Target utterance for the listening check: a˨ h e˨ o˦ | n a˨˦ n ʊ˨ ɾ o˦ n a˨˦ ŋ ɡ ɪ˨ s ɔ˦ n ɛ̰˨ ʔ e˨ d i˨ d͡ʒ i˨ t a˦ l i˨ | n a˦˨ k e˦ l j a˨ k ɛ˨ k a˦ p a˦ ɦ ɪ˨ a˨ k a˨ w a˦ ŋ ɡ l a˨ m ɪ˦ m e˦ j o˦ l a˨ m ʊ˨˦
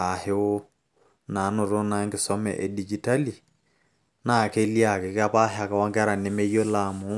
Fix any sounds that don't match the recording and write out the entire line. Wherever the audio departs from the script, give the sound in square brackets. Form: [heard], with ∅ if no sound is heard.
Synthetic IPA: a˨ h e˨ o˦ | n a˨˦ n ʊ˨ ɾ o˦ n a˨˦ ŋ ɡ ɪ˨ s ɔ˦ [m] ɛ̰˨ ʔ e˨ d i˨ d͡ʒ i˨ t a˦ l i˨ | n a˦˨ k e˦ l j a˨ k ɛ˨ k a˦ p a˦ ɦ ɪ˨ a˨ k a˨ w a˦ ŋ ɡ [ɾ] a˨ [n] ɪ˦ m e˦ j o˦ l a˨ m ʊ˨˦

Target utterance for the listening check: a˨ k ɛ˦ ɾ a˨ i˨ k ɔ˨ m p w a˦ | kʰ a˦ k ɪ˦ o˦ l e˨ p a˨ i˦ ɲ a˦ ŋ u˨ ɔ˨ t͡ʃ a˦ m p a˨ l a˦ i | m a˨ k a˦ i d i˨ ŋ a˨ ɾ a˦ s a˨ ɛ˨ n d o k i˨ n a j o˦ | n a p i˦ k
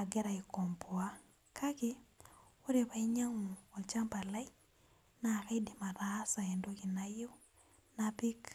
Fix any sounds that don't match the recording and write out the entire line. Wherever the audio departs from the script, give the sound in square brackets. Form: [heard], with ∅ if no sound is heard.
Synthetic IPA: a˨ [ɡ] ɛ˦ ɾ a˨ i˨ k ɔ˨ m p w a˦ | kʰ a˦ k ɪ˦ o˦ [ɾ] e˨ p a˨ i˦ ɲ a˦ ŋ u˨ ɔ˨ t͡ʃ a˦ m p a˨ l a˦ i | [n] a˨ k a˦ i d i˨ [m] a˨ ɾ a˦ s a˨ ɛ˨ n d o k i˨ n a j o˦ | n a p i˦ k

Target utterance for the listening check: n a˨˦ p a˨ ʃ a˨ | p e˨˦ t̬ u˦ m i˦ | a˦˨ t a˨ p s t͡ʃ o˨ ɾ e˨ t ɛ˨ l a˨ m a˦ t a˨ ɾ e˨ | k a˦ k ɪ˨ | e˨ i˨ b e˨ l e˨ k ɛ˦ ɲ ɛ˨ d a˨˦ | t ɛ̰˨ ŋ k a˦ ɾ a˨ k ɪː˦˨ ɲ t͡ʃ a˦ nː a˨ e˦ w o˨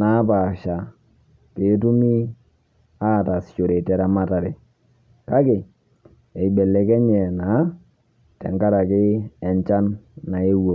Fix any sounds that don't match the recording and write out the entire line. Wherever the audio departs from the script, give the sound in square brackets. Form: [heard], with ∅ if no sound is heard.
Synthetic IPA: n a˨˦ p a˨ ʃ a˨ | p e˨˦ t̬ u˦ m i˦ | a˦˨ t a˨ [∅] s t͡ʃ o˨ ɾ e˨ t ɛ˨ [ɾ] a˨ m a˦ t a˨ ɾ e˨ | k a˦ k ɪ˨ | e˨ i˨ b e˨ l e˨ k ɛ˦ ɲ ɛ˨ [n] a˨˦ | t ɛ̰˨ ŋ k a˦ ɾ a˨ k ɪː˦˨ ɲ t͡ʃ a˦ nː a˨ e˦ w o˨

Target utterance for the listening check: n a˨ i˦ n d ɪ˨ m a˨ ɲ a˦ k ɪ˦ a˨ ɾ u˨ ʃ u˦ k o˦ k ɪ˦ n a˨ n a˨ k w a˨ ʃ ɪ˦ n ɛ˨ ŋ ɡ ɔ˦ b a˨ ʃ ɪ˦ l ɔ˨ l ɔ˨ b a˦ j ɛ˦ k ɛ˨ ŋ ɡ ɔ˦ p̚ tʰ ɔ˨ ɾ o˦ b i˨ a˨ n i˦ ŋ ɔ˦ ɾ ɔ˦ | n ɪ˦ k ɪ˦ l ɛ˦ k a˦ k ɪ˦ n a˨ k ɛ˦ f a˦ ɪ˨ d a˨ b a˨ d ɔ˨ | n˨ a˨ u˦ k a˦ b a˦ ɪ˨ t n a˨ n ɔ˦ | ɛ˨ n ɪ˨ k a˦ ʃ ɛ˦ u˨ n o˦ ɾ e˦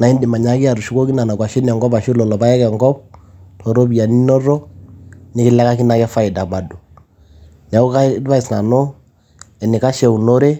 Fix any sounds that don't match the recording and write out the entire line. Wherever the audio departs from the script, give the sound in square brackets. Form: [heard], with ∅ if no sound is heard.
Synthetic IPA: n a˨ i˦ n d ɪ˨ m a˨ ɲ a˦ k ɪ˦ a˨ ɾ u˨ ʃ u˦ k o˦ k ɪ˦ n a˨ n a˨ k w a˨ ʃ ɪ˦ n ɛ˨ ŋ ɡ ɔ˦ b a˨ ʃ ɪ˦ l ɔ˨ l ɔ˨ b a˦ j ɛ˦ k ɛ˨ ŋ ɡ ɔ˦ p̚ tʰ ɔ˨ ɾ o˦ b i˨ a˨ n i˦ [n] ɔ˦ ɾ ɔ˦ | n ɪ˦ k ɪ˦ l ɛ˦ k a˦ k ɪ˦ n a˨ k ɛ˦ f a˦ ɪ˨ d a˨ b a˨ d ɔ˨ | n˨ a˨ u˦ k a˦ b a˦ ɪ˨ [s] n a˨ n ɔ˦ | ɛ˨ n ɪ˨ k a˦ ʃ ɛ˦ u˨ n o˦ ɾ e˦

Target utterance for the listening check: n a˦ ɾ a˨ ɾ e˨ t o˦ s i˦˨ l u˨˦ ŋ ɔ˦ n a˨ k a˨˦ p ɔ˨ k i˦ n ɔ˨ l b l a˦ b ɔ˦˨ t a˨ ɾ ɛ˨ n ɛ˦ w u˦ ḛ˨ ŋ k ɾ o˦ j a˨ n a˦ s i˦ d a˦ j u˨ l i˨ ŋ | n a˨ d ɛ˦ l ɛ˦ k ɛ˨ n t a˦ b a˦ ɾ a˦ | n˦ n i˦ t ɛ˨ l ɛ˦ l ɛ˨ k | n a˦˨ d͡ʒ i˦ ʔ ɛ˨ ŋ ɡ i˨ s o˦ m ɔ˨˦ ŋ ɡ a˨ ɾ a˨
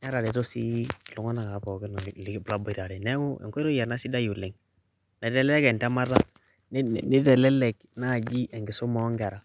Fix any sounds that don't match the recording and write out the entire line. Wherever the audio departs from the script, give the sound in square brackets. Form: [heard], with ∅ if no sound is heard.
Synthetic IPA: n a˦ ɾ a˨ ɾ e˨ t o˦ s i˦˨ l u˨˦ ŋ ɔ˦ n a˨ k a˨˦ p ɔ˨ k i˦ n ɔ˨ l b l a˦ b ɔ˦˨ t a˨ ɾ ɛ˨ n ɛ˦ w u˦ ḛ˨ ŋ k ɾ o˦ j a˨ n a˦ s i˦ d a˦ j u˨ l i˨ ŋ | n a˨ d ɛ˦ l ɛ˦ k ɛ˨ n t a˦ [m] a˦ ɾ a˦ | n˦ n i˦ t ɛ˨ l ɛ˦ l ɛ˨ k | n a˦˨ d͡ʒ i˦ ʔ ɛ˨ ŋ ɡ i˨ s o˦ m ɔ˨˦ ŋ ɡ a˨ ɾ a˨

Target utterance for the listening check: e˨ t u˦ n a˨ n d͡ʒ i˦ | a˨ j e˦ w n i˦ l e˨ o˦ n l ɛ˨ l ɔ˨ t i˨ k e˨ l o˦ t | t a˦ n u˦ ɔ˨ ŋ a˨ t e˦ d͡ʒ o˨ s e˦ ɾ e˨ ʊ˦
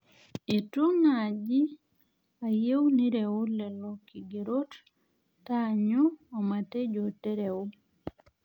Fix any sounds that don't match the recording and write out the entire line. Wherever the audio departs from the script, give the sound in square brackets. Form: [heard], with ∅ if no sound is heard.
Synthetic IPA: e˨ t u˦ n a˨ [∅] d͡ʒ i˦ | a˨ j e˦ w n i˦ [ɾ] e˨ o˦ [∅] l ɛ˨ l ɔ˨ [k] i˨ [ɡ] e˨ [ɾ] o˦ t | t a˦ [ɲ] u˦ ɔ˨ [m] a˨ t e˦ d͡ʒ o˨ [t] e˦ ɾ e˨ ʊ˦

